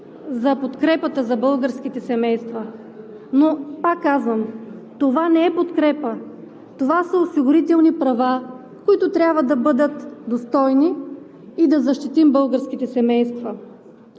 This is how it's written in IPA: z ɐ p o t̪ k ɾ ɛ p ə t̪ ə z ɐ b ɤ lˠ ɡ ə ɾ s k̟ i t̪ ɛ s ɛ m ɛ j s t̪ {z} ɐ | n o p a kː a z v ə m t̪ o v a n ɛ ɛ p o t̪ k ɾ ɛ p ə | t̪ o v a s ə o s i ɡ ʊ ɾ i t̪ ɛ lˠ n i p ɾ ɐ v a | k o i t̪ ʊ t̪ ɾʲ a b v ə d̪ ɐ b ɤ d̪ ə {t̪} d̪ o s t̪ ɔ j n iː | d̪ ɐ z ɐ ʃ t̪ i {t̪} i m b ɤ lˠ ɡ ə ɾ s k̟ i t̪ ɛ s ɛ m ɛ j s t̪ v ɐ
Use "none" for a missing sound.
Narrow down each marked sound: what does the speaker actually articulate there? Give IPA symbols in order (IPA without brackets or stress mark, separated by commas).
v, t̪, t̪